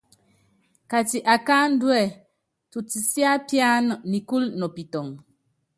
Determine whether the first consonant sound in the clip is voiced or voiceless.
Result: voiceless